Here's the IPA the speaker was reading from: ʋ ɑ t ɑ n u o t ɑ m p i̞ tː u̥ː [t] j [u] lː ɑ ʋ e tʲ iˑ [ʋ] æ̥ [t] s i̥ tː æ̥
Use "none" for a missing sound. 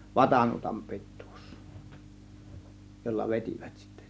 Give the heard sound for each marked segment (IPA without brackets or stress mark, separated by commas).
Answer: s, o, ʋ, t